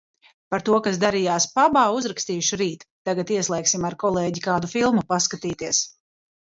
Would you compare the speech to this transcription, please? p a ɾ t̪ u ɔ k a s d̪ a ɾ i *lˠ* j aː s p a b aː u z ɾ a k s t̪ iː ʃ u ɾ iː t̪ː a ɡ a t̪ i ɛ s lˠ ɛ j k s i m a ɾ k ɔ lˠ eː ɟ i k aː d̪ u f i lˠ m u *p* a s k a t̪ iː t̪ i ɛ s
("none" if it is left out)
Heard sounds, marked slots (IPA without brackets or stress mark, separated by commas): none, p